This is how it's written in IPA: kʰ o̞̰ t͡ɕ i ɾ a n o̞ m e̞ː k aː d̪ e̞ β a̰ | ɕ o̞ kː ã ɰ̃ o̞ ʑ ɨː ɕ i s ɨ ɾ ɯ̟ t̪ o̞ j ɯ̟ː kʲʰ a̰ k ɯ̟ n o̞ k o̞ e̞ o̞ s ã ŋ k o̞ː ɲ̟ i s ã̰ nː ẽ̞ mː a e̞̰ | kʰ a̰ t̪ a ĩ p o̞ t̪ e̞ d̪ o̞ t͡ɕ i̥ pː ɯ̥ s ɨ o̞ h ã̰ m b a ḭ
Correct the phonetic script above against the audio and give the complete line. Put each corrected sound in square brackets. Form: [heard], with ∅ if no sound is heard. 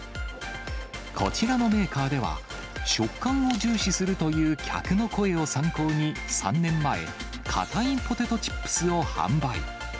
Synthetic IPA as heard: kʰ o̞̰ t͡ɕ i ɾ a n o̞ m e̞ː k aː d̪ e̞ β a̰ | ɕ o̞ kː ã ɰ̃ o̞ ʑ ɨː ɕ i s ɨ ɾ ɯ̟ t̪ o̞ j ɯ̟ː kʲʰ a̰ k ɯ̟ n o̞ k o̞ e̞ o̞ s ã ŋ k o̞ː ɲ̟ i s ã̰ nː ẽ̞ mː a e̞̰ | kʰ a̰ t̪ a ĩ p o̞ t̪ e̞ [t̪] o̞ t͡ɕ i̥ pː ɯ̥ s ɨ o̞ h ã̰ m b a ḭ